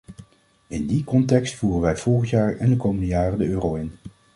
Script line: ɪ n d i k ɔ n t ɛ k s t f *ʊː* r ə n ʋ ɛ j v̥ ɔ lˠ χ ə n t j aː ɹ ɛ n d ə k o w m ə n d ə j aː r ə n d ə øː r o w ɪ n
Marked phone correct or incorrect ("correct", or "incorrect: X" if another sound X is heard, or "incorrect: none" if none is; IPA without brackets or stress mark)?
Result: incorrect: uː